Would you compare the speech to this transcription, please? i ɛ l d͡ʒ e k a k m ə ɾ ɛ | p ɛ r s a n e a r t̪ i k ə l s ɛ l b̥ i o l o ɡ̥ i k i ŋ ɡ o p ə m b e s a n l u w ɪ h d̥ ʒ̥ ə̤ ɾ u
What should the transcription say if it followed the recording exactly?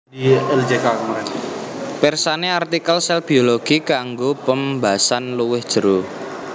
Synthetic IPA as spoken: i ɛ l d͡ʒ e k a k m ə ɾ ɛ | p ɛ r s a n e a r t̪ i k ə l s ɛ l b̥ i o l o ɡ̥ i k a ŋ ɡ o p ə m b a s a n l u w ɪ h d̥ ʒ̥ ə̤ ɾ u